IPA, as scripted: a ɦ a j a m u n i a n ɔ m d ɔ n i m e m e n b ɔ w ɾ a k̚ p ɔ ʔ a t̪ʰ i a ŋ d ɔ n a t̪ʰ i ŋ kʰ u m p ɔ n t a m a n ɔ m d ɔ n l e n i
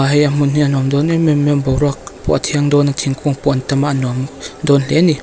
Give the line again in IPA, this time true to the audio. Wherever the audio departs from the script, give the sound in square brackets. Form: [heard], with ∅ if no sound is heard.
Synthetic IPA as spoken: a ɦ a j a m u n i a n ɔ m d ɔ n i m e m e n b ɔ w ɾ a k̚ p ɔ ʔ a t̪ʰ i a ŋ d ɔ n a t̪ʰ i ŋ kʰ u [ŋ] p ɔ n t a m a n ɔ m d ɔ n l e n i